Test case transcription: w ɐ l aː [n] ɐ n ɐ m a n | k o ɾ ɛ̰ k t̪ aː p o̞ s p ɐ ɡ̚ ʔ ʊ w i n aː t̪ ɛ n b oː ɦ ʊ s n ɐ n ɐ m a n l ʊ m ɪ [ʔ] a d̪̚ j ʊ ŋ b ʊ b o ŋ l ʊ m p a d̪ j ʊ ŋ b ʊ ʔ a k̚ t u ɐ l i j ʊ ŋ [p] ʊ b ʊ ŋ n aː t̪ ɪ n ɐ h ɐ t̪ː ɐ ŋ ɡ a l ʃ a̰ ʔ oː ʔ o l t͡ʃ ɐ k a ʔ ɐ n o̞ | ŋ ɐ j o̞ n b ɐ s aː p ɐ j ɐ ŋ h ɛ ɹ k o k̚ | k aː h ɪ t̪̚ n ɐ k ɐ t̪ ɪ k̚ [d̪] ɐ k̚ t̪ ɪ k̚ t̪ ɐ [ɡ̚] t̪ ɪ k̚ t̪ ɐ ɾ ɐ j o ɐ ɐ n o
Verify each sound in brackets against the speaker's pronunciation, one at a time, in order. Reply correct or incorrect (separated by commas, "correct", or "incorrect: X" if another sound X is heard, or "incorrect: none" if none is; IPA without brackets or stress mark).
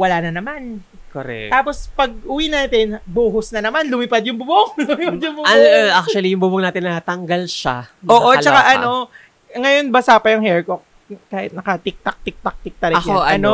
correct, incorrect: p, incorrect: b, incorrect: t̪, incorrect: k̚